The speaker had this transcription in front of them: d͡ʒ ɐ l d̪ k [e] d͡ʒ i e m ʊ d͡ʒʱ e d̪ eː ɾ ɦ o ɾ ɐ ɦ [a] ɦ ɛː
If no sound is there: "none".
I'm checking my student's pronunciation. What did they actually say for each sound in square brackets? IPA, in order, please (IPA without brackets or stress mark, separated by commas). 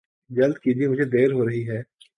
i, i